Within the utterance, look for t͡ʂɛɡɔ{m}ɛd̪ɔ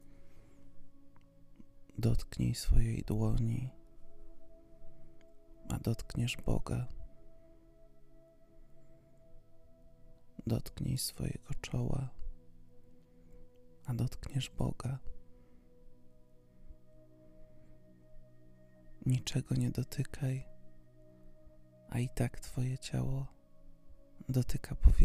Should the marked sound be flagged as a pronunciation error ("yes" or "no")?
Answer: yes